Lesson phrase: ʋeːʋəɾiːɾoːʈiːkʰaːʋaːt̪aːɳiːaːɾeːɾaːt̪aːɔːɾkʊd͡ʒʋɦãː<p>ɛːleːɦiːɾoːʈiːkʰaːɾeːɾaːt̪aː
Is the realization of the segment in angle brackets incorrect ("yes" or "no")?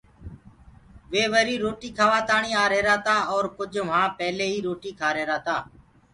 no